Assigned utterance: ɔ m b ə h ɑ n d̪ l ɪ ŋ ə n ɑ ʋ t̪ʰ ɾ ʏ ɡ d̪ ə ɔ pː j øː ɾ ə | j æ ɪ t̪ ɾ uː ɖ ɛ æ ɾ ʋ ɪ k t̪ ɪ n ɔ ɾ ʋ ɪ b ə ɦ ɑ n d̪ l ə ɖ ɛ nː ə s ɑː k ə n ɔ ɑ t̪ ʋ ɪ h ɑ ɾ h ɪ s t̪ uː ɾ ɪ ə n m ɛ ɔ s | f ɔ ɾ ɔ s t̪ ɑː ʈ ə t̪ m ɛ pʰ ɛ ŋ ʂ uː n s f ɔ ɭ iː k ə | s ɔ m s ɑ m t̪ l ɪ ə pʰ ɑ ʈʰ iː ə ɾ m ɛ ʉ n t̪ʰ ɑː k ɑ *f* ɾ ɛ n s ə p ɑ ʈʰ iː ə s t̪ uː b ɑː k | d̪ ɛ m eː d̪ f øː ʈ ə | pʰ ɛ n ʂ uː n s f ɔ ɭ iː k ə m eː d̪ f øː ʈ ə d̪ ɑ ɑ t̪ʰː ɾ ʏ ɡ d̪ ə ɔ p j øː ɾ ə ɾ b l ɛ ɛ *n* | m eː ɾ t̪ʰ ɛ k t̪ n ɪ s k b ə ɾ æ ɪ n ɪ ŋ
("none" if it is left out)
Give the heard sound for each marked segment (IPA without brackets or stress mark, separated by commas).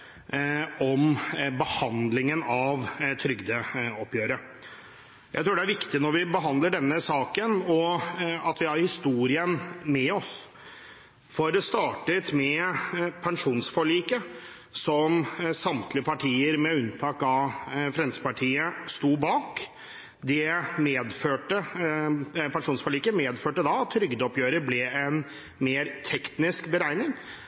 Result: f, n